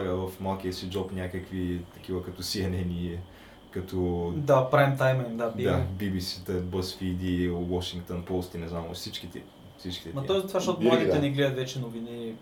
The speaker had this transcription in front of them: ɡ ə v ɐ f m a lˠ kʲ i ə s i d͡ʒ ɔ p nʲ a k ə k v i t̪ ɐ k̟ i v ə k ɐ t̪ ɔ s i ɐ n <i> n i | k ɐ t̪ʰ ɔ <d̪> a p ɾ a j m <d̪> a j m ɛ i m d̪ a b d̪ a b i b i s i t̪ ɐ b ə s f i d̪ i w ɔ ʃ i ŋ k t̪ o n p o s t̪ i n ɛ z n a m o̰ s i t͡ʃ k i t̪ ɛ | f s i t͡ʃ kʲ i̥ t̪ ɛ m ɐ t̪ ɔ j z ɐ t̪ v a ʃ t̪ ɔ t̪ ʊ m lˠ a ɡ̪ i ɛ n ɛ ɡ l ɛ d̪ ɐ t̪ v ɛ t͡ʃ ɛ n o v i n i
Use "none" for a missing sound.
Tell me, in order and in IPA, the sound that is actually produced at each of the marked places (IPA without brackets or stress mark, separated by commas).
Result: ɛ, d̪, t̪